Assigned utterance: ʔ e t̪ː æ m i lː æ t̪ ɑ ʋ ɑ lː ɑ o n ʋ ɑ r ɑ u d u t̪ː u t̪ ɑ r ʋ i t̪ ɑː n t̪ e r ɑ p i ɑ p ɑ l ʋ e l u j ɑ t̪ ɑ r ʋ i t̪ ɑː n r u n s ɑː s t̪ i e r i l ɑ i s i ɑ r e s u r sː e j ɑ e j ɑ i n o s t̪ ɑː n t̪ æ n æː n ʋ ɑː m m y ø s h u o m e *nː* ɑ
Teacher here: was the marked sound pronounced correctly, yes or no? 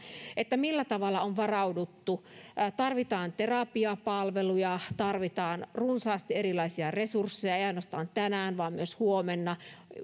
yes